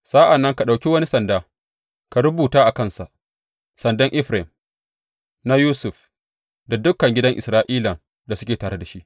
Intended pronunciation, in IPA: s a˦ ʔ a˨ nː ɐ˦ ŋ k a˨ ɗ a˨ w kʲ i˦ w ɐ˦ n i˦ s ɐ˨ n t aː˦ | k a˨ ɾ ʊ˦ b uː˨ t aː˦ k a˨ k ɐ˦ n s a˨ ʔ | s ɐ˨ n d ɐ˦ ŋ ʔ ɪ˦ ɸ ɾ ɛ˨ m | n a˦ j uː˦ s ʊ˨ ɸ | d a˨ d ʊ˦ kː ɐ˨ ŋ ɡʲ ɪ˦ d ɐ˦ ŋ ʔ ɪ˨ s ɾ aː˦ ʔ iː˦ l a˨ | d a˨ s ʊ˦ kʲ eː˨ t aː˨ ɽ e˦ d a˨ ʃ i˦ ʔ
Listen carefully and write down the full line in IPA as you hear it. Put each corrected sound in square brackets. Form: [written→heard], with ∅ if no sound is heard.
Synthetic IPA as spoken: s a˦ ʔ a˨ nː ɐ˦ ŋ k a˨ ɗ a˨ w kʲ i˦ w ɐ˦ n i˦ s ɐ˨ n [t→d] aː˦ | k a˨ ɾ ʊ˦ b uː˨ t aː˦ [k→ʔ] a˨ k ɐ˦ n s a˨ ʔ | s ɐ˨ n d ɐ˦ ŋ ʔ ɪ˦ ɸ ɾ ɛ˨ m | n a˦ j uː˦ s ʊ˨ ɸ | d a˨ d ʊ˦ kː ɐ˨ ŋ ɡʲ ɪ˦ d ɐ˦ ŋ ʔ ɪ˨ s ɾ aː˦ ʔ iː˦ l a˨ | d a˨ s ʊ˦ kʲ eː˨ t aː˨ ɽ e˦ d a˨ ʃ i˦ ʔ